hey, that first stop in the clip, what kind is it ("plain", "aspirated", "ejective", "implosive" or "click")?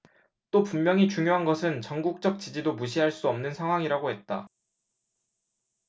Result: plain